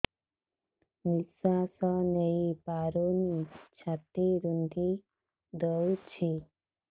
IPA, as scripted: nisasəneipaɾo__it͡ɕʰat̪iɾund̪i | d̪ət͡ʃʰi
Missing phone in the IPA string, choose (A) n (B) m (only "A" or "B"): A